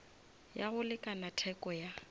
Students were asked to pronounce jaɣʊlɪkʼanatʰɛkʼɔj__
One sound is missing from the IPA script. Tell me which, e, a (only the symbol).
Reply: a